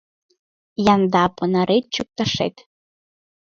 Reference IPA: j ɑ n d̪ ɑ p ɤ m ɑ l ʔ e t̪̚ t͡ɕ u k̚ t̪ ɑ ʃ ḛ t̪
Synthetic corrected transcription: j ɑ n d̪ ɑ p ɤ n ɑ ɾ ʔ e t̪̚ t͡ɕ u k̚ t̪ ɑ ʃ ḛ t̪